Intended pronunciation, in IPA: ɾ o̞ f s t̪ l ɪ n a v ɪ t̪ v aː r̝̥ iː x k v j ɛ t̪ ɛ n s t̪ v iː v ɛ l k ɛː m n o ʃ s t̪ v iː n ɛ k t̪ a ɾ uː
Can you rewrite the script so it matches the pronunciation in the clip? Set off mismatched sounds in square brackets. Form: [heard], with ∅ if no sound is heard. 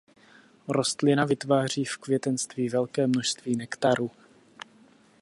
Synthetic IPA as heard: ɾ o̞ [∅] s t̪ l ɪ n a v ɪ t̪ v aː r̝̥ iː [f] k v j ɛ t̪ ɛ n s t̪ v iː v ɛ l k ɛː m n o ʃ s t̪ v iː n ɛ k t̪ a ɾ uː